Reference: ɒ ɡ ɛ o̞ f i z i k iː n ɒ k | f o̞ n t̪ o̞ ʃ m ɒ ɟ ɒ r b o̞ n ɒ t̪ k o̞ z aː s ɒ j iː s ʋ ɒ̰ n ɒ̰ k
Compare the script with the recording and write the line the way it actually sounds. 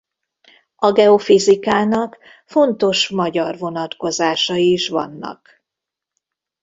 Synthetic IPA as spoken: ɒ ɡ ɛ o̞ f i z i k aː n ɒ k | f o̞ n t̪ o̞ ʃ m ɒ ɟ ɒ r v o̞ n ɒ t̪ k o̞ z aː ʃ ɒ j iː ʃ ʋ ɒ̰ nː ɒ̰ k